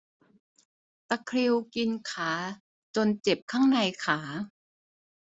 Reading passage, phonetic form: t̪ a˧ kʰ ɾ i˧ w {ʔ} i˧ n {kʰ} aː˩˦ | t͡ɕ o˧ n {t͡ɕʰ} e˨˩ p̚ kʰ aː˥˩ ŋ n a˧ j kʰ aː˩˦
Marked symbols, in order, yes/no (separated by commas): no, yes, no